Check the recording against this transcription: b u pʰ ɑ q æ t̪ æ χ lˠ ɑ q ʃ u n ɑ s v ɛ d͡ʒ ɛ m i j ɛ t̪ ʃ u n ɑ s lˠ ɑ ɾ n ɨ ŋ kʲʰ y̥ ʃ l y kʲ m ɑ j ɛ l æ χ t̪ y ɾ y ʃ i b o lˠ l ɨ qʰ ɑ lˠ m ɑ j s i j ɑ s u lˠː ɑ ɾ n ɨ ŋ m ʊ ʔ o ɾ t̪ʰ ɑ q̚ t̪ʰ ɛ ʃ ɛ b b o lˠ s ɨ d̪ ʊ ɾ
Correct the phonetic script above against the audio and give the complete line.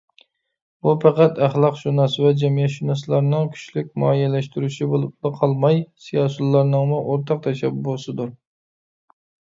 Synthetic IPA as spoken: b u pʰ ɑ q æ t̪ æ χ lˠ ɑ q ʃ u n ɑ s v ɛ d͡ʒ ɛ m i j ɛ t̪ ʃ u n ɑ s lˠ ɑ ɾ n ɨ ŋ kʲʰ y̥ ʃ l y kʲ m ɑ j ɛ l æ ʃ t̪ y ɾ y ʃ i b o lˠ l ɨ qʰ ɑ lˠ m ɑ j s i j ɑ s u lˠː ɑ ɾ n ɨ ŋ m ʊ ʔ o ɾ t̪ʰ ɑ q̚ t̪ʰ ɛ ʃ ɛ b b o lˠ s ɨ d̪ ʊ ɾ